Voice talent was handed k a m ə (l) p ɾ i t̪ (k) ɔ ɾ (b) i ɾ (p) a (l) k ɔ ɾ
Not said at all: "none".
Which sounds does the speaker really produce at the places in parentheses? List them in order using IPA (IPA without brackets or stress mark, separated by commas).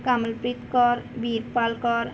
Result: l, k, b, p, l